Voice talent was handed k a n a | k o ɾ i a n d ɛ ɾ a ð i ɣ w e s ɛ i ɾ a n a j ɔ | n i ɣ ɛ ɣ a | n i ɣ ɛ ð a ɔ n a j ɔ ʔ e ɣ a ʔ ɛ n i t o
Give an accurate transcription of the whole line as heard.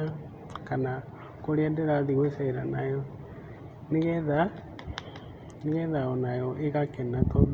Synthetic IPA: k a n a | k o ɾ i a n d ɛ ɾ a ð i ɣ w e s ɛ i ɾ a n a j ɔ | n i ɣ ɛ ð a | n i ɣ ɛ ð a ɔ n a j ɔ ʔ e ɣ a k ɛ n a t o